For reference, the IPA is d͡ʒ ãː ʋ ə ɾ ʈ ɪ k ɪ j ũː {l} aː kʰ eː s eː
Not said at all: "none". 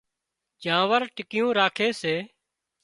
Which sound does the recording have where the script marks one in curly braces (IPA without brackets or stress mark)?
ɾ